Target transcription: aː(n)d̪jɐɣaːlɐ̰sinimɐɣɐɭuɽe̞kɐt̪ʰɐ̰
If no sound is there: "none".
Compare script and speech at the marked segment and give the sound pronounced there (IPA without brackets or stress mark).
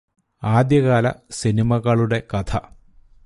none